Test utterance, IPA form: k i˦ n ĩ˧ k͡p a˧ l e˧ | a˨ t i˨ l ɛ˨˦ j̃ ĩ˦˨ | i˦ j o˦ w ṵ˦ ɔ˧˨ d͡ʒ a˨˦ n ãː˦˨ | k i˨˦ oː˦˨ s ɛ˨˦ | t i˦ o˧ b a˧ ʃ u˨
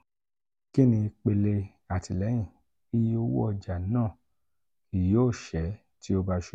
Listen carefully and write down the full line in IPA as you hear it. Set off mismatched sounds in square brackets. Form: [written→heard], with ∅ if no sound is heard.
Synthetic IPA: k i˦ n ĩ˧ k͡p [a˧→e˧] l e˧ | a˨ t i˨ l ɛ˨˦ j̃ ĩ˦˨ | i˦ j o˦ w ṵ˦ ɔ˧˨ d͡ʒ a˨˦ n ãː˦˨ | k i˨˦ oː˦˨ [s→ʃ] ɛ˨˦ | t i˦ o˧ b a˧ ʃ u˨